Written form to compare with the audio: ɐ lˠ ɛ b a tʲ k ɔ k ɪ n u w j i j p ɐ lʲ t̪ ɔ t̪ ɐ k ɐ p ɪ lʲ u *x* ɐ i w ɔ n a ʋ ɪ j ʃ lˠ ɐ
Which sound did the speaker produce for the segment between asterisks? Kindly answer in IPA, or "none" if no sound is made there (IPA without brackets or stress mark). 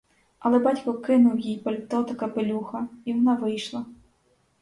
x